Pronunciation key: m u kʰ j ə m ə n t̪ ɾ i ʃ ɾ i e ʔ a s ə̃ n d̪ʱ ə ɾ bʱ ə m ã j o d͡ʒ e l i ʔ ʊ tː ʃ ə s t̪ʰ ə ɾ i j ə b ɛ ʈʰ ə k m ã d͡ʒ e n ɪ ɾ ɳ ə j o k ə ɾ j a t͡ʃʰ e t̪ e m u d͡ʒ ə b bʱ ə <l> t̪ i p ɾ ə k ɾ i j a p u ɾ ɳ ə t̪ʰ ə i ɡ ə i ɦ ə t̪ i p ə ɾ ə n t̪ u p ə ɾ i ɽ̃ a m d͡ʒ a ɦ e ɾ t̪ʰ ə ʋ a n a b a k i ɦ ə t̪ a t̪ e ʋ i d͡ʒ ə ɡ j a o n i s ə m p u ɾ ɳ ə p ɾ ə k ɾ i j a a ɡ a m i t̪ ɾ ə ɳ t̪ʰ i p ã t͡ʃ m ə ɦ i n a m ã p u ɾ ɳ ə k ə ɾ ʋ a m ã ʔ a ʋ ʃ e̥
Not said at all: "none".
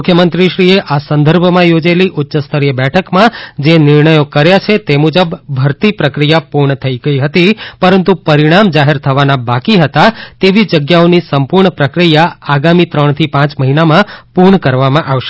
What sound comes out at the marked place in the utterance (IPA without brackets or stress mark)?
ɾ